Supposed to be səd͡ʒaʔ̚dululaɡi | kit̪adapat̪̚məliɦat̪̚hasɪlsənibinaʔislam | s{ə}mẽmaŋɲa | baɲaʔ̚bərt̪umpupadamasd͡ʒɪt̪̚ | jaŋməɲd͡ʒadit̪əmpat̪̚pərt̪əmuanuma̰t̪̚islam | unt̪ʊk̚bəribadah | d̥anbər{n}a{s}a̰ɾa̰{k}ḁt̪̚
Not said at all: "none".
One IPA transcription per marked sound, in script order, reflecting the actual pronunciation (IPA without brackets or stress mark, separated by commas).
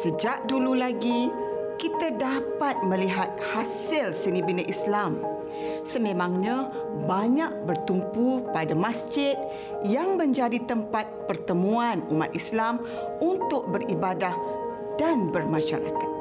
ə, m, ʃ, k